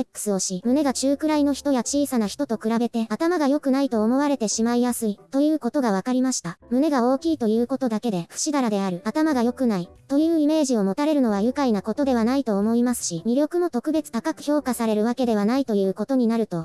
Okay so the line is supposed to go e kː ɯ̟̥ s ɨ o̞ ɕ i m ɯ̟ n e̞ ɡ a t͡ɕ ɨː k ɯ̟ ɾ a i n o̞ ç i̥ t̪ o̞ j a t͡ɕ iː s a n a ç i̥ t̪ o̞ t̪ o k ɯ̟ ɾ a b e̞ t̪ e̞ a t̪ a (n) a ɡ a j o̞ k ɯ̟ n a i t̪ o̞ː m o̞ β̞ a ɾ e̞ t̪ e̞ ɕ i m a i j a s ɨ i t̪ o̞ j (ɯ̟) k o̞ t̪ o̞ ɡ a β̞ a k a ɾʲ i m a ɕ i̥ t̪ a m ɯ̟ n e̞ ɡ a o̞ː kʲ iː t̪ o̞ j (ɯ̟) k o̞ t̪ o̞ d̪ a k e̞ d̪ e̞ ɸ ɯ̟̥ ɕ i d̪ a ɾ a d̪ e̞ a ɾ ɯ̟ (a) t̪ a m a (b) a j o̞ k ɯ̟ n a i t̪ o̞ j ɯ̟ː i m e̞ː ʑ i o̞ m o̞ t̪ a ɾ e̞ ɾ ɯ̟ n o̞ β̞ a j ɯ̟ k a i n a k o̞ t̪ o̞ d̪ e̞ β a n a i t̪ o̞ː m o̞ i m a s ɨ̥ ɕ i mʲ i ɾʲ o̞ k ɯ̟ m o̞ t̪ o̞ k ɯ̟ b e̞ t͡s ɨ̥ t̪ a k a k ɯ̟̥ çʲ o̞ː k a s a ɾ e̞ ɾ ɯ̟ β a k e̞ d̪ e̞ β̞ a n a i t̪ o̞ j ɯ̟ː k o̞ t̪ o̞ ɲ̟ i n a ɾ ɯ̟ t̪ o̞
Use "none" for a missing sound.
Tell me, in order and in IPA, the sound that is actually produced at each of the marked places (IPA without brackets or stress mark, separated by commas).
m, ɯ̟ː, ɯ̟ː, a, ɡ